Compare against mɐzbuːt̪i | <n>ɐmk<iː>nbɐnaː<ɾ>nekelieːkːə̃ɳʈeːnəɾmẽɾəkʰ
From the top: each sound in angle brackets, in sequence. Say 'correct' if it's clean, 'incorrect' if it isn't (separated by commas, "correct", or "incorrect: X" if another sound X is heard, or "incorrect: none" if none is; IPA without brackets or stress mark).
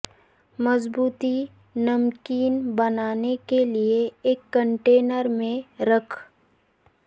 correct, correct, incorrect: none